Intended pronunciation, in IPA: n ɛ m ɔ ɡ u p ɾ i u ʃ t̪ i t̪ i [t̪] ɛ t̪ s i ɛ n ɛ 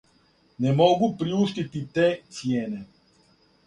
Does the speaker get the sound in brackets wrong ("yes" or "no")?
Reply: no